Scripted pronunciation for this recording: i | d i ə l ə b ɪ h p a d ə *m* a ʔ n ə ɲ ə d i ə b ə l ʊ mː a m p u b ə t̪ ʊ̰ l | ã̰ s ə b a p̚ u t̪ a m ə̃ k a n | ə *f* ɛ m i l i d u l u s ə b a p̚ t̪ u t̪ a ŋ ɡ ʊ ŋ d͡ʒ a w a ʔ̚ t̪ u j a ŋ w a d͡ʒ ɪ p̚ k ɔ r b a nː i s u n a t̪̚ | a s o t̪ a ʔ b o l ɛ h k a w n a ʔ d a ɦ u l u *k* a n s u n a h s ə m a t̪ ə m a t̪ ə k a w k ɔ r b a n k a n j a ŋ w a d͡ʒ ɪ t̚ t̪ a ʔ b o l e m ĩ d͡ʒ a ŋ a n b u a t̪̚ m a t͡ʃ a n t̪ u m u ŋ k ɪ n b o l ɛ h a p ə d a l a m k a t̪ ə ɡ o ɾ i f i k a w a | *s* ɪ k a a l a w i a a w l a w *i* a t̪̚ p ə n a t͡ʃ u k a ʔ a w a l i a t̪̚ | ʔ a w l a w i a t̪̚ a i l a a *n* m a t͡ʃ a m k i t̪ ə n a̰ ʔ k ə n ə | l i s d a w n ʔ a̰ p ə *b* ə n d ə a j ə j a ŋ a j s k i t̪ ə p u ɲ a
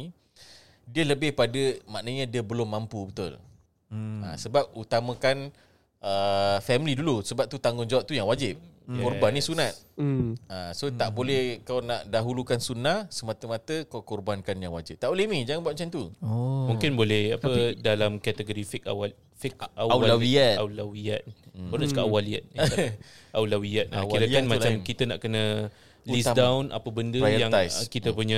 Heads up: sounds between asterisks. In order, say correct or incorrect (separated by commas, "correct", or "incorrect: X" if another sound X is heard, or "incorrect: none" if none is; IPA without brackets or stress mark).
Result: correct, correct, correct, incorrect: f, correct, correct, correct